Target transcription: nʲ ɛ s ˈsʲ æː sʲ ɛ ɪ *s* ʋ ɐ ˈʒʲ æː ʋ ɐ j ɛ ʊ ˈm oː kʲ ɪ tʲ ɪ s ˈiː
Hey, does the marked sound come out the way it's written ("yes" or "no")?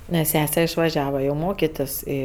no